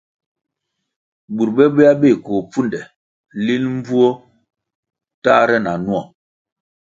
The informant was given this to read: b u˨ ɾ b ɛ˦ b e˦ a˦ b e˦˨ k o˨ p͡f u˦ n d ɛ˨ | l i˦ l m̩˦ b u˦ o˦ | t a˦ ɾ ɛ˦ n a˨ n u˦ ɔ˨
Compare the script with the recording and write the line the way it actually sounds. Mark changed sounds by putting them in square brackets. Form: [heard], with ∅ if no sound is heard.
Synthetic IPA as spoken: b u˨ ɾ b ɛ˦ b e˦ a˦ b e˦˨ k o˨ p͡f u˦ n d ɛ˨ | l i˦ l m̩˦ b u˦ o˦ | t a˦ ɾ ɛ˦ n a˨ n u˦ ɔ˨